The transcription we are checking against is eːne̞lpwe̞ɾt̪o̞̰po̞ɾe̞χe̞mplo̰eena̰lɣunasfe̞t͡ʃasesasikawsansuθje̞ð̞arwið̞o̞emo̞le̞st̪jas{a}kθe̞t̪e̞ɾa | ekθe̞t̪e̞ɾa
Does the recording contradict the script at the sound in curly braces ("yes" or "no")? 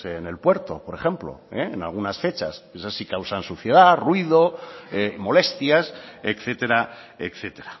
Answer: yes